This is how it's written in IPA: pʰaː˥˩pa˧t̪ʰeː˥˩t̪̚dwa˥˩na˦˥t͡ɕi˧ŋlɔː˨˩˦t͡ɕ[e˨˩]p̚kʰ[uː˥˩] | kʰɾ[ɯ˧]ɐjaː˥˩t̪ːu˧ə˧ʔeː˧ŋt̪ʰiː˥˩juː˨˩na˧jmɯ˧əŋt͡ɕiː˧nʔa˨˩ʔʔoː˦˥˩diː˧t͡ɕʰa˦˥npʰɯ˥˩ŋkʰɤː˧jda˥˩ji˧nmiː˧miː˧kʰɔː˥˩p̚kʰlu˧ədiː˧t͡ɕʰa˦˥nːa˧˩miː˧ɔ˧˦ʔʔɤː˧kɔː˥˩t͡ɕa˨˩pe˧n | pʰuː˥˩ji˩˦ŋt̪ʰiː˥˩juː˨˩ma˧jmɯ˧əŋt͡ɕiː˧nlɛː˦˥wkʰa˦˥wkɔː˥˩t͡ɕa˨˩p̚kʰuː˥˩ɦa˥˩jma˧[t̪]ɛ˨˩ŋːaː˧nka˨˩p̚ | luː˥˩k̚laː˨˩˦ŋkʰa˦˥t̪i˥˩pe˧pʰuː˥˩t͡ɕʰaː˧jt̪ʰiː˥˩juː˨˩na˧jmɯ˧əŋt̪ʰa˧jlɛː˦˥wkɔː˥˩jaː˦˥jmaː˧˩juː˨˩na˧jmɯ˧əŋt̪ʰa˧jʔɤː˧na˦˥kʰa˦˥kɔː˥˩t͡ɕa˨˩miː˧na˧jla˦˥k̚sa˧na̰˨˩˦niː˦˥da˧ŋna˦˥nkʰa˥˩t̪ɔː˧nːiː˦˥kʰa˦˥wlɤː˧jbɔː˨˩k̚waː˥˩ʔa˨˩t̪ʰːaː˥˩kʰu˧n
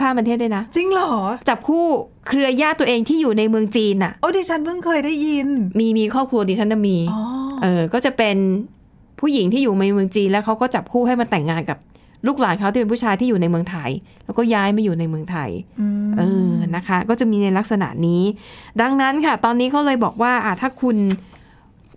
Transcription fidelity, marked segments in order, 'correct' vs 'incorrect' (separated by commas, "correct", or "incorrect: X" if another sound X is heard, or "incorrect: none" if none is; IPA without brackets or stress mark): incorrect: a˨˩, correct, correct, correct